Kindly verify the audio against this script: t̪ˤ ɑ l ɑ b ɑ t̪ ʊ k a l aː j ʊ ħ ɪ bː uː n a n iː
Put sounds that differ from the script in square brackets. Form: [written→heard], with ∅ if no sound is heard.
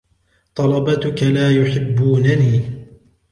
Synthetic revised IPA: t̪ˤ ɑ l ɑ b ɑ t̪ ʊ k a l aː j ʊ ħ ɪ bː uː n a n iː

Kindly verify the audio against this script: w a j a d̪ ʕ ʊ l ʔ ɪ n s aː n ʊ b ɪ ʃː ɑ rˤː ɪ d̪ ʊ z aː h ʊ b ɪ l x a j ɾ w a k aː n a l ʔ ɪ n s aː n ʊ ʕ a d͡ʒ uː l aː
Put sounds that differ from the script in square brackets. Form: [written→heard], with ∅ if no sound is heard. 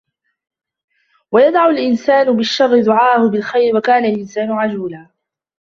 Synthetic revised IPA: w a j a d̪ ʕ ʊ l ʔ ɪ n s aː n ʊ b ɪ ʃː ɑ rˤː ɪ d̪ ʊ [z→ʕ] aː h ʊ b ɪ l x a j ɾ w a k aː n a l ʔ ɪ n s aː n ʊ ʕ a d͡ʒ uː l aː

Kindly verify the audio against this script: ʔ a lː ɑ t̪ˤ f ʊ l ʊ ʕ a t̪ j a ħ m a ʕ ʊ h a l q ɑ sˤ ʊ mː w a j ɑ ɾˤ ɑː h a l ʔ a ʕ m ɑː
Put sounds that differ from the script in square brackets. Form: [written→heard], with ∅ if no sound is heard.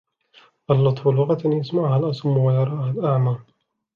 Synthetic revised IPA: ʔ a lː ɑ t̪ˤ f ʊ l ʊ [ʕ→ɣ] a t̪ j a [ħ→s] m a ʕ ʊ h a l [q→ʔ] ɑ sˤ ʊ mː w a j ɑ ɾˤ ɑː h a l ʔ a ʕ m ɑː

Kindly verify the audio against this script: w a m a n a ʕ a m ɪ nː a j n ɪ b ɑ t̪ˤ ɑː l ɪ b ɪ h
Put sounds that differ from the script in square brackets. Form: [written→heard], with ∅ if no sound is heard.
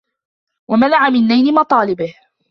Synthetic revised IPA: w a m a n a ʕ a m ɪ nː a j n ɪ [b→m] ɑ t̪ˤ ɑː l ɪ b ɪ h

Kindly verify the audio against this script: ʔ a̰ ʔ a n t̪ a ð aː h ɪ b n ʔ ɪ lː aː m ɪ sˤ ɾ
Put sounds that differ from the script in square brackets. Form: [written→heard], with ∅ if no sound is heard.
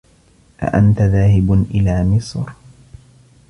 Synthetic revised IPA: ʔ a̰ ʔ a n t̪ a ð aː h ɪ b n ʔ ɪ [lː→l] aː m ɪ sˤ ɾ

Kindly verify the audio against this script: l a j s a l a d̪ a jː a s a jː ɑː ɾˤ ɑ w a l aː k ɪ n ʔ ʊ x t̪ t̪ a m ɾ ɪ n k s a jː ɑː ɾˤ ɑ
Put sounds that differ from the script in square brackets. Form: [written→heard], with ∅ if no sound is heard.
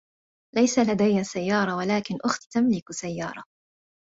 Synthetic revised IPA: l a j s a l a d̪ a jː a s a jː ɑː ɾˤ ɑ w a l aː k ɪ n ʔ ʊ x t̪ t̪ a m [ɾ→l] ɪ [n→∅] k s a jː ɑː ɾˤ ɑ

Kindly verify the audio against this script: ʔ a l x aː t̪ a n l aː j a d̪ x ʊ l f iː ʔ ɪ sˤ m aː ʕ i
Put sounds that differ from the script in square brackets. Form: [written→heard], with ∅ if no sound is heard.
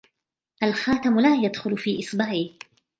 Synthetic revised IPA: ʔ a l x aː t̪ a [n→m] l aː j a d̪ x ʊ l f iː ʔ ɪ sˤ [m→b] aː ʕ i

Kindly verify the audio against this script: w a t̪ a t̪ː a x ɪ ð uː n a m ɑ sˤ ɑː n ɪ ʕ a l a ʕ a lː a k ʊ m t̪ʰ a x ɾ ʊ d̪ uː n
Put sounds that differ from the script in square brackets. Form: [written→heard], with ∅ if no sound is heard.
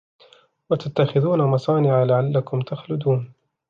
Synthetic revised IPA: w a t̪ a t̪ː a x ɪ ð uː n a m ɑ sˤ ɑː n ɪ ʕ a l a ʕ a lː a k ʊ m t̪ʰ a x [ɾ→l] ʊ d̪ uː n

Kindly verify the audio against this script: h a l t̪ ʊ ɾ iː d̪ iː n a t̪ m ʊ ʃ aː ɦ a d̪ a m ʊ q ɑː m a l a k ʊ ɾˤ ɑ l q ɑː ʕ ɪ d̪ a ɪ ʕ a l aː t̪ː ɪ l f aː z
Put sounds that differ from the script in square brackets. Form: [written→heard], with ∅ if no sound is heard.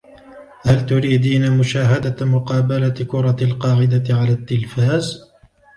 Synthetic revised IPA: h a l t̪ ʊ ɾ iː d̪ iː n a [t̪→∅] m ʊ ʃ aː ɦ a d̪ a m ʊ q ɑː [m→b] a l a k ʊ ɾˤ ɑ l q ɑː ʕ ɪ d̪ a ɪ ʕ a l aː t̪ː ɪ l f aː z

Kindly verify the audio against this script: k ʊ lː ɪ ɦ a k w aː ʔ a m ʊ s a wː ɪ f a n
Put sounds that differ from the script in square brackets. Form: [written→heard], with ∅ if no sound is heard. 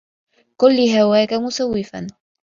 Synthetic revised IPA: k ʊ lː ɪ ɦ a [k→∅] w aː [ʔ→k] a m ʊ s a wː ɪ f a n

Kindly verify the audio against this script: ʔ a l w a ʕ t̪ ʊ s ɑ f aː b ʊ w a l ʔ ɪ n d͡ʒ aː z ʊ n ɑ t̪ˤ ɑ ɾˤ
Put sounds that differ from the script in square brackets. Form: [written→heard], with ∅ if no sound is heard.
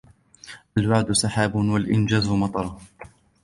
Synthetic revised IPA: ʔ a l w a ʕ [t̪→d̪] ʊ s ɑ [f→ħ] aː b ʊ w a l ʔ ɪ n d͡ʒ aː z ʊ [n→m] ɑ t̪ˤ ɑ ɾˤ

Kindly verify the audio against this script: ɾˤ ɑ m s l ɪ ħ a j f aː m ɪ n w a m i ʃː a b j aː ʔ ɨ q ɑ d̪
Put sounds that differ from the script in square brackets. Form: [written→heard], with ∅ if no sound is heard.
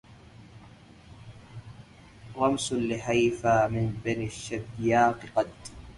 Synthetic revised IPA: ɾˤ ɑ m s l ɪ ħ a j f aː m ɪ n [w→b] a [m→n] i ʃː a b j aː [ʔ→q] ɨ q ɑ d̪

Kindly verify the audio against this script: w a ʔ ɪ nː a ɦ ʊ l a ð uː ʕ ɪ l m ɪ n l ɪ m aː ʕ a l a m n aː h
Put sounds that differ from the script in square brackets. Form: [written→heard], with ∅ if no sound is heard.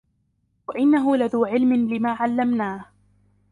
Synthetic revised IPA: w a ʔ ɪ nː a ɦ ʊ l a ð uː ʕ ɪ l m ɪ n l ɪ m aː ʕ a [l→lː] a m n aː h

